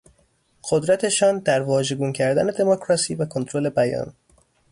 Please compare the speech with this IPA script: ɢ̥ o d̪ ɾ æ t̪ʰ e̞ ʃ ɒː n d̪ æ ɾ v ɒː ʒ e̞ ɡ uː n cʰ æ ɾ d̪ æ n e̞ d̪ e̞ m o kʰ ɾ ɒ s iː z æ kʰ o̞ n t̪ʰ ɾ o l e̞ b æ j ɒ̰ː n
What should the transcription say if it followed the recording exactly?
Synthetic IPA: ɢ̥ o d̪ ɾ æ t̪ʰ e̞ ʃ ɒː n d̪ æ ɾ v ɒː ʒ e̞ ɡ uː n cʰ æ ɾ d̪ æ n e̞ d̪ e̞ m o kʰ ɾ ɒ s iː v æ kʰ o̞ n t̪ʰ ɾ o l e̞ b æ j ɒ̰ː n